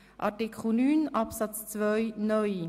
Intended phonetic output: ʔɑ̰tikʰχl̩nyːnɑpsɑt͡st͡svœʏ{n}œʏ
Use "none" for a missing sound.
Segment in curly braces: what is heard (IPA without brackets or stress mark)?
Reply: n